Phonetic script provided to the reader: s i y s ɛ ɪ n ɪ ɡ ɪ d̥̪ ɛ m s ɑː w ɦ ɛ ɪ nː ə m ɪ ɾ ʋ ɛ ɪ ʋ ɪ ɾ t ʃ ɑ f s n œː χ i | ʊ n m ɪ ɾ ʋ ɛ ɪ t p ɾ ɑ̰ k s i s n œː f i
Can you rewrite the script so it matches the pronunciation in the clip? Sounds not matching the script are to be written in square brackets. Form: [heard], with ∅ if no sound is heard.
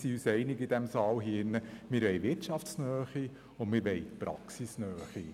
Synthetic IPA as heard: s i y s ɛ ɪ n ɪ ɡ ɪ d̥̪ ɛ m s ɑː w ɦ [i] ɪ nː ə m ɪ ɾ ʋ ɛ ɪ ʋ ɪ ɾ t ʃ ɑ f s n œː χ i | ʊ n m ɪ ɾ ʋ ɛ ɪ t p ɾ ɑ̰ k s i s n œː [χ] i